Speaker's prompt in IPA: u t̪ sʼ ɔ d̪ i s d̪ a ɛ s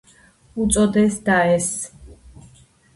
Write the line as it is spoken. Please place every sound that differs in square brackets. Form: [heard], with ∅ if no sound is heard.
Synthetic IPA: u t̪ sʼ ɔ d̪ [ɛ] s d̪ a ɛ s